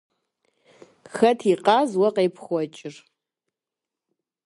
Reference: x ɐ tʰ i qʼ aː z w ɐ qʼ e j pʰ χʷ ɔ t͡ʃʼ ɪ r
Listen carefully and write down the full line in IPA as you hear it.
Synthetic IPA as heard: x ɐ tʰ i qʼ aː z w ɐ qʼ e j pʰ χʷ ɔ t͡ʃʼ ɪ r